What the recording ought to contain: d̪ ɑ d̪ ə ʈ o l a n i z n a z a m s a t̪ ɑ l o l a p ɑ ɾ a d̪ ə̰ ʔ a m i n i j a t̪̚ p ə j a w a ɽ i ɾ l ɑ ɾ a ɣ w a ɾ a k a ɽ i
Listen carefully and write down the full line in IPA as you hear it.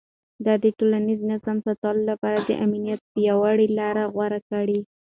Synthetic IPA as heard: d̪ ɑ d̪ ə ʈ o l a n i z n a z a m s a t̪ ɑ l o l a p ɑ ɾ a d̪ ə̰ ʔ a m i n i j a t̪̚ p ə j a w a ɽ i l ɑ ɾ a ɣ w a ɾ a k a ɽ i